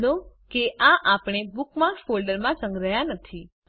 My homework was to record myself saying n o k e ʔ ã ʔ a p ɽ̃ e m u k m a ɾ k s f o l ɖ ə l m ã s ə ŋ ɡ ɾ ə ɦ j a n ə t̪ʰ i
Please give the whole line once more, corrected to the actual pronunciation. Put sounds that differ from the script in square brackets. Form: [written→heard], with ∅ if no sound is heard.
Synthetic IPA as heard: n o k e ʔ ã ʔ a p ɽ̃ e [m→b] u k m a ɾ k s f o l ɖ ə [l→ɾ] m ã s ə ŋ ɡ ɾ ə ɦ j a n ə t̪ʰ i